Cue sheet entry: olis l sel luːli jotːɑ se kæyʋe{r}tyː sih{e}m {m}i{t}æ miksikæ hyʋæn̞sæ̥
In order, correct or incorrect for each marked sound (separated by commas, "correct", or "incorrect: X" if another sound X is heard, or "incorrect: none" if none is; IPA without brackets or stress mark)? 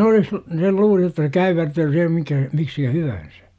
correct, correct, correct, incorrect: k